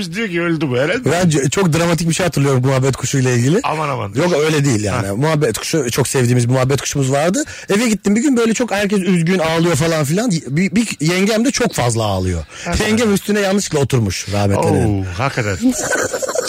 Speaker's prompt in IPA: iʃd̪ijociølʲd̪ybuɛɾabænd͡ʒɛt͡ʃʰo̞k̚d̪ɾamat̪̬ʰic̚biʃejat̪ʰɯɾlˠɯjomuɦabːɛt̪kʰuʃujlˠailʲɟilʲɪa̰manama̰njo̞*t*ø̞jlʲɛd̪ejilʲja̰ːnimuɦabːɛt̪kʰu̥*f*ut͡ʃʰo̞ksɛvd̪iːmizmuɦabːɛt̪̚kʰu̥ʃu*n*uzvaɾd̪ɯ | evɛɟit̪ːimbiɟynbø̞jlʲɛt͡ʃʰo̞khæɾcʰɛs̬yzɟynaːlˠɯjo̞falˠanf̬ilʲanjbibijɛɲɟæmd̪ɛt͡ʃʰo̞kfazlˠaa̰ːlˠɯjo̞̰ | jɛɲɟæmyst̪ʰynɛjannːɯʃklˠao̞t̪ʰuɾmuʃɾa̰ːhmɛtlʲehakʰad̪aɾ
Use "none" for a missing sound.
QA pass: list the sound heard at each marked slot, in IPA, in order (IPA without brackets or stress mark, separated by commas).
k, ʃ, m